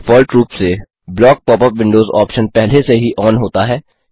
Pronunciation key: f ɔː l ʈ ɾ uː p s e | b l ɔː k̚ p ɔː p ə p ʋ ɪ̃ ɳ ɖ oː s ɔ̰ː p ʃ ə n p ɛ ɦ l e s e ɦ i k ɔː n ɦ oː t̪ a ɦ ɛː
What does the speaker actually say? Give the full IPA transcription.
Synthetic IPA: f ɔː l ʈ ɾ uː p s e | b l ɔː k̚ p ɔː p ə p ʋ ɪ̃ ɳ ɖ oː z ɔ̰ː p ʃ ə n p ɛ ɦ l e s e ɦ i ʔ ɔː n ɦ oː t̪ a ɦ ɛː